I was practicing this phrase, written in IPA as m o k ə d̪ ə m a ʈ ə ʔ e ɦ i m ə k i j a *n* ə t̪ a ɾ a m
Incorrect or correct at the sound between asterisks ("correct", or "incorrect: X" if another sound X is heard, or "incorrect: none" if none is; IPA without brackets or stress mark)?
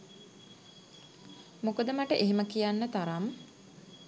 incorrect: nː